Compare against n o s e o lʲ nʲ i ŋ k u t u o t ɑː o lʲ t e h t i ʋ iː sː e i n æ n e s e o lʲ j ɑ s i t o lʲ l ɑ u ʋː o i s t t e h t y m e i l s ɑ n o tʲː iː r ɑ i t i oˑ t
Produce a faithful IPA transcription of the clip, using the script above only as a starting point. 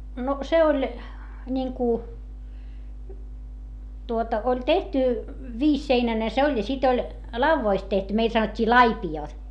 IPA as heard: n o s e o lʲ nʲ i ŋ k u t u o t ɑ o lʲ t e h t y ʋ iː sː e i n æ n e s e o lʲ j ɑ s i t o lʲ l ɑ u ʋː o i s t t e h t y m e i l s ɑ n o tʲː iː l ɑ i p i oˑ t